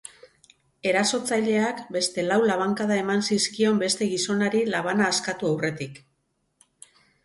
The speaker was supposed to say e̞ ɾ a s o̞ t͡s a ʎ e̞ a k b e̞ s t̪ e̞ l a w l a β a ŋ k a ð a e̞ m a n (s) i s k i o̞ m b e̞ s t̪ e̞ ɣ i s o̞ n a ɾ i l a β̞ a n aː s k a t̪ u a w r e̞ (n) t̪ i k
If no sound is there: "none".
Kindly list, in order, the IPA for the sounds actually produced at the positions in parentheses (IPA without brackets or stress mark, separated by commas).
s, none